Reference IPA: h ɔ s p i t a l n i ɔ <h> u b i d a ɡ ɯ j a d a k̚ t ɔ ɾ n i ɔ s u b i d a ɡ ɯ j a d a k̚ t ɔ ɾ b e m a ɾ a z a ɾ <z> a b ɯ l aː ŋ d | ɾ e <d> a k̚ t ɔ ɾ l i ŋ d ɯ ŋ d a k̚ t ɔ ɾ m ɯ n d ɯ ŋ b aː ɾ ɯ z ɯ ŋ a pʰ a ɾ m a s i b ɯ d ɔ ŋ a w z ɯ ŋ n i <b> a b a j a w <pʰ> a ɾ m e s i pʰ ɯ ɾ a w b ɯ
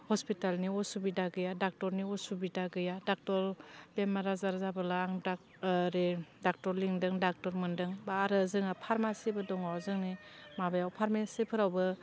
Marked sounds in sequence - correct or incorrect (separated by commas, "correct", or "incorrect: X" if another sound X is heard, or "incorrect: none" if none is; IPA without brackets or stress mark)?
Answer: incorrect: s, correct, correct, incorrect: m, correct